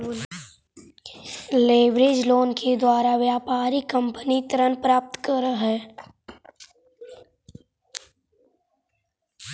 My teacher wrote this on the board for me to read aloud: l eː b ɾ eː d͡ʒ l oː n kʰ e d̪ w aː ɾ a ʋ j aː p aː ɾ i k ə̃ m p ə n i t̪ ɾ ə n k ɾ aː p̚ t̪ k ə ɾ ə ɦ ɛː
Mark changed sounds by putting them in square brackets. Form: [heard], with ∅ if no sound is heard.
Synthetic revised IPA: l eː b ɾ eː d͡ʒ l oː n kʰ e d̪ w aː ɾ a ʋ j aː p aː ɾ i k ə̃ m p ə n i t̪ ɾ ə n [p] ɾ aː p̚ t̪ k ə ɾ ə ɦ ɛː

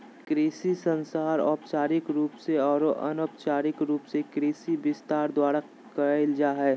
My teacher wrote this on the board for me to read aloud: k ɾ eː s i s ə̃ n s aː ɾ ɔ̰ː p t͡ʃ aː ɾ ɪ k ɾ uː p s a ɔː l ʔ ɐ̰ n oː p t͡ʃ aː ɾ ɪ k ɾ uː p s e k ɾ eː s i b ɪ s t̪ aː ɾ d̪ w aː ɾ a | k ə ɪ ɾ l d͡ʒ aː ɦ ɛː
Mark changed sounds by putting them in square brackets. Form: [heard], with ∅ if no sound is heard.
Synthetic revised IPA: k ɾ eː s i s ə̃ n s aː ɾ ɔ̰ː p t͡ʃ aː ɾ ɪ k ɾ uː p s [e] ɔː [ɾ] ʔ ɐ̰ n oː p t͡ʃ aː ɾ ɪ k ɾ uː p s e k ɾ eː s i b ɪ s t̪ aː ɾ d̪ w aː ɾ a | k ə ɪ [∅] l d͡ʒ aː ɦ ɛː

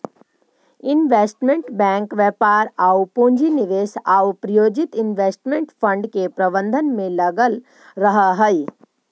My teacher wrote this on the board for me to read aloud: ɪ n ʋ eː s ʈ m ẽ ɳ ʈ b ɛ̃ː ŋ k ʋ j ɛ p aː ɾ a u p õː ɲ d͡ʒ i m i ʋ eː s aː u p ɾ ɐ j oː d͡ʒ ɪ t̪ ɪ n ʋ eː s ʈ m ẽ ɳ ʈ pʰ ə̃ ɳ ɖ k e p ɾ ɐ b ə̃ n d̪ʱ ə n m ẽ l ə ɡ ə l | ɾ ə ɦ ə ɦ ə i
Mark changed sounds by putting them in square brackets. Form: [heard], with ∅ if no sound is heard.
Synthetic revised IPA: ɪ n ʋ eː s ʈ m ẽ ɳ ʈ b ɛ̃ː ŋ k ʋ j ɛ p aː ɾ a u p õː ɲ d͡ʒ i [n] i ʋ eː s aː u p ɾ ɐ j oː d͡ʒ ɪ t̪ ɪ n ʋ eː s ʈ m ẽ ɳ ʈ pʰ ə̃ ɳ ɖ k e p ɾ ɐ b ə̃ n d̪ʱ ə n m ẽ l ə ɡ ə l | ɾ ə ɦ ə ɦ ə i

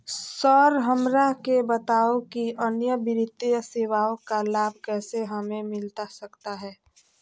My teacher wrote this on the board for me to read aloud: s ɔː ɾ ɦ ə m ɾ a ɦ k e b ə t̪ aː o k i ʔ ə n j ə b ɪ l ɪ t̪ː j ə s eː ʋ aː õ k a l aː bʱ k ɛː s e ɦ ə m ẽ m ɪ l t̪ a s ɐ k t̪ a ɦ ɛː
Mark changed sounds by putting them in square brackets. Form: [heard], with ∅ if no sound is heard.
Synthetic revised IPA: s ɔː ɾ ɦ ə m ɾ a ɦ k e b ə t̪ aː o k i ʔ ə n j ə b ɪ [ɾ] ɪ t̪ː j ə s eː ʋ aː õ k a l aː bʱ k ɛː s e ɦ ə m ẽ m ɪ l t̪ a s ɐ k t̪ a ɦ ɛː

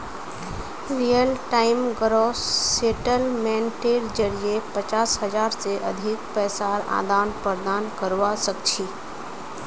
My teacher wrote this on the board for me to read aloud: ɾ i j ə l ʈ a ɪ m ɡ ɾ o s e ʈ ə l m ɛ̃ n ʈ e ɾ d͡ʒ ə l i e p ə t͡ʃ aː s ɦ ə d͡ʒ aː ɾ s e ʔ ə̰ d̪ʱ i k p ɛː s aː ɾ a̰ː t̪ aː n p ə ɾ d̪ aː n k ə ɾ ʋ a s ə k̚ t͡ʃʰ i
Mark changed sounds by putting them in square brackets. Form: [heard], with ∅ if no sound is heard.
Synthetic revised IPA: ɾ i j ə l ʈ a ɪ m ɡ ɾ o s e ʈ ə l m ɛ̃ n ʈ e ɾ d͡ʒ ə [ɾ] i e p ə t͡ʃ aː s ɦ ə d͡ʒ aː ɾ s e ʔ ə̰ d̪ʱ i k p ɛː s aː ɾ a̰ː [d̪] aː n p ə ɾ d̪ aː n k ə ɾ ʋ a s ə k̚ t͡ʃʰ i

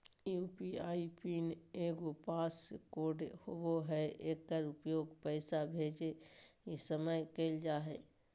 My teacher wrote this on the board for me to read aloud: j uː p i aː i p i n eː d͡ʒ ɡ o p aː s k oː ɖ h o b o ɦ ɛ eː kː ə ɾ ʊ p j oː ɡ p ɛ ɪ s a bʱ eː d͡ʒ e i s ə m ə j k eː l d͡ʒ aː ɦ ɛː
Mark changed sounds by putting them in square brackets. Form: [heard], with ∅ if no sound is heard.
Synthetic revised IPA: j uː p i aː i p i n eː [∅] ɡ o p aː s k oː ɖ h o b o ɦ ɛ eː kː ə ɾ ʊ p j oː ɡ p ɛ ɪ s a bʱ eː d͡ʒ e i s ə m ə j k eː l d͡ʒ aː ɦ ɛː

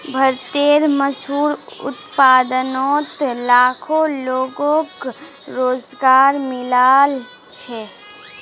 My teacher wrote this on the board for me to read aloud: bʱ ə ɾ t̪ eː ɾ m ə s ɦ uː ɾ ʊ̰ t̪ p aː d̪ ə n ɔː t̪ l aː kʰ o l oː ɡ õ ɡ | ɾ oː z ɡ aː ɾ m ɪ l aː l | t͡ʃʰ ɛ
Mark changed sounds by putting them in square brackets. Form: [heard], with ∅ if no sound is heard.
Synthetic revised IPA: bʱ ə ɾ t̪ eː ɾ m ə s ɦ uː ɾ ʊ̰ t̪ p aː d̪ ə n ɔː t̪ l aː kʰ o l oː ɡ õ [k] | ɾ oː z ɡ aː ɾ m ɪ l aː l | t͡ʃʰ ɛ

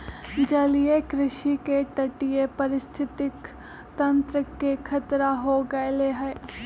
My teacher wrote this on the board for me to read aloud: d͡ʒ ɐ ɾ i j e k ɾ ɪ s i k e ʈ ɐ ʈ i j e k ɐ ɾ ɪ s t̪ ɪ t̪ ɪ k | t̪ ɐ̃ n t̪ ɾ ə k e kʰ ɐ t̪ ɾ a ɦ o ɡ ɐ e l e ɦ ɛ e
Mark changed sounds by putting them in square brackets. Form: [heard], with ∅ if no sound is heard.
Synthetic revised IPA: d͡ʒ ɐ [l] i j e k ɾ ɪ [ʃ] i k e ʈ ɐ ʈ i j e [p] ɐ ɾ ɪ s [t̪ʰ] ɪ t̪ ɪ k | t̪ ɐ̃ n t̪ ɾ ə k e kʰ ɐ t̪ ɾ a ɦ o ɡ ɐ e l e ɦ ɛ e

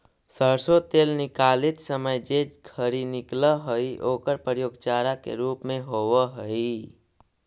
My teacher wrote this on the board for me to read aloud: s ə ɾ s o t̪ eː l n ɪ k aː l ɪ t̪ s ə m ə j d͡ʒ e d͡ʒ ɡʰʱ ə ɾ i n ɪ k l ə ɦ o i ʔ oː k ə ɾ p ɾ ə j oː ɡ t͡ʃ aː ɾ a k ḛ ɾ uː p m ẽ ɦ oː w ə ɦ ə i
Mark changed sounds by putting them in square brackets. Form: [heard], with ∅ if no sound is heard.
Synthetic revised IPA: s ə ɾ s o t̪ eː l n ɪ k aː l ɪ t̪ s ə m ə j d͡ʒ e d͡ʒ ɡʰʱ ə ɾ i n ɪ k l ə ɦ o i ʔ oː k ə ɾ p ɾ ə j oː ɡ t͡ʃ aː ɾ a k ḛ ɾ uː p m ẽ ɦ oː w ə ɦ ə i

